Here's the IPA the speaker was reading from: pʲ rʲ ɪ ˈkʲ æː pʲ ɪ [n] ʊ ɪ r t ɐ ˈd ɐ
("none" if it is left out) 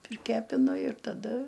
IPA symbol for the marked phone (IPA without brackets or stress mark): n